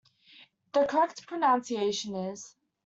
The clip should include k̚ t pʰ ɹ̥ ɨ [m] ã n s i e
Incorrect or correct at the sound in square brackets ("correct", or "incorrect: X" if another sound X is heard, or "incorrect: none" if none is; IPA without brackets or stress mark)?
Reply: incorrect: n